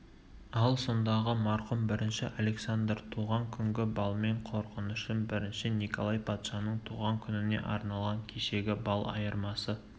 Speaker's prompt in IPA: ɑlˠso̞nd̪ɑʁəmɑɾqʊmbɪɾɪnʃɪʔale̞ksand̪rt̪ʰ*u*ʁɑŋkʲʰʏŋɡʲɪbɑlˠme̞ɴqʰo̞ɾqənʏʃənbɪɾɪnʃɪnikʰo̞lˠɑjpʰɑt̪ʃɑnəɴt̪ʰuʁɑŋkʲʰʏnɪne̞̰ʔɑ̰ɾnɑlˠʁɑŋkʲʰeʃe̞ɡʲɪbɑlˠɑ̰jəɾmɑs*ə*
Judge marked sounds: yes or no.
yes, yes

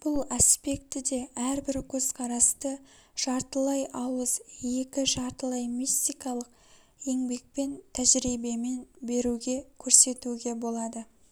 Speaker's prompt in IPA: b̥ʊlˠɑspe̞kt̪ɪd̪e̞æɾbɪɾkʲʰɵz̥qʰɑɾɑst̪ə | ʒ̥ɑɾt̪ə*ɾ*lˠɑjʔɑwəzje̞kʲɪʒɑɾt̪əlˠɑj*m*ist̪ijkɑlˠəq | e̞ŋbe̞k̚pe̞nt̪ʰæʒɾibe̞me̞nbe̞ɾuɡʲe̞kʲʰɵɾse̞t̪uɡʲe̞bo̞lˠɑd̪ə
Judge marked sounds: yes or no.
no, yes

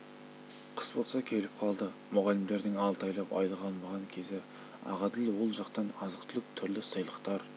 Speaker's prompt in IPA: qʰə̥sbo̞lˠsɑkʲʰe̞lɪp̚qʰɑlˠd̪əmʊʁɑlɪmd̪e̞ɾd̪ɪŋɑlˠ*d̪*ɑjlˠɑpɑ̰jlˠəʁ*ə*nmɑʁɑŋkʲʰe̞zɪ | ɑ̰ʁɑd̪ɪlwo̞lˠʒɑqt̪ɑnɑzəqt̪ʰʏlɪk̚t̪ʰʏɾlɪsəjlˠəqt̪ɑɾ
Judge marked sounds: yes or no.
no, no

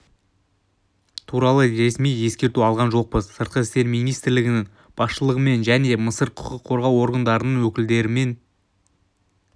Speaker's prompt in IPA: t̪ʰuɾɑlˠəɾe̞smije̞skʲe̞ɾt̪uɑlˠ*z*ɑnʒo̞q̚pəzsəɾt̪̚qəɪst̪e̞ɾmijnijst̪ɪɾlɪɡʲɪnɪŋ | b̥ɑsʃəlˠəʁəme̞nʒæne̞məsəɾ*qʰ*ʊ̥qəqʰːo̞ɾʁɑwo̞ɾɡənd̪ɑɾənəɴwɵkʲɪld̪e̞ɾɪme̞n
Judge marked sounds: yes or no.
no, yes

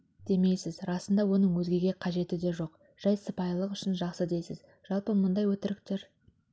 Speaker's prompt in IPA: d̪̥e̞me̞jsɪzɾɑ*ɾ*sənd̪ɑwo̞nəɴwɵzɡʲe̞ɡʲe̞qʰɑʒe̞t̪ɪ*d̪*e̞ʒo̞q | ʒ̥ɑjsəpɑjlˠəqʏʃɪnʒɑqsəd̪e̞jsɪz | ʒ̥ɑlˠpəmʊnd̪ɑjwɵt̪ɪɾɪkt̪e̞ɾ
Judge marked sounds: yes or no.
no, yes

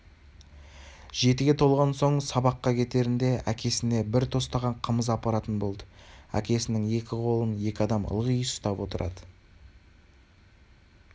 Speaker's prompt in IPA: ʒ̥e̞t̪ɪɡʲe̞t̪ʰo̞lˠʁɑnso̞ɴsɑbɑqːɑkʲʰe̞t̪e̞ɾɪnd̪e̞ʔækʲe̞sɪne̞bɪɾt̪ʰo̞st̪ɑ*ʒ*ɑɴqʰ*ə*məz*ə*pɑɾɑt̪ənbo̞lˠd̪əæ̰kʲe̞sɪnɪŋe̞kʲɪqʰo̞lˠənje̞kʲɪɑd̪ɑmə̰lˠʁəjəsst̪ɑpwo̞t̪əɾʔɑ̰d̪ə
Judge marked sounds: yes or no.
no, yes, no

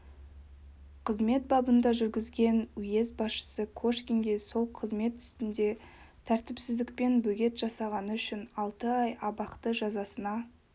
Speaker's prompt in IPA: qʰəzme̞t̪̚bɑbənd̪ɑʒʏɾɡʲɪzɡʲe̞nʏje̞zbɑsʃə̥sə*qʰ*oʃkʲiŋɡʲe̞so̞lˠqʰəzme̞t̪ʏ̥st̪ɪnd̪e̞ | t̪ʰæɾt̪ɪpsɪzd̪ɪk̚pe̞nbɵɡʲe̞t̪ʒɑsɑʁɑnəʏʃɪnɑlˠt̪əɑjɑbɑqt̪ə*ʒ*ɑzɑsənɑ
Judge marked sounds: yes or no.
no, yes

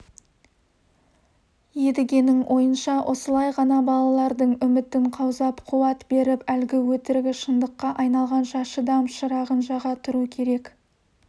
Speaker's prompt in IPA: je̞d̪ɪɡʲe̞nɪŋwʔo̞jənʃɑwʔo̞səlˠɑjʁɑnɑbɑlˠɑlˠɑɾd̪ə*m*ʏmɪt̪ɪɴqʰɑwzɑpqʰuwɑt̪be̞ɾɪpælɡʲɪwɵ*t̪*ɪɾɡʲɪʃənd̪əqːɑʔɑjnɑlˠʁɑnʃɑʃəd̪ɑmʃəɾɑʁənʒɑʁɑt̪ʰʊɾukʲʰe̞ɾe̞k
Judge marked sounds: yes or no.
no, yes

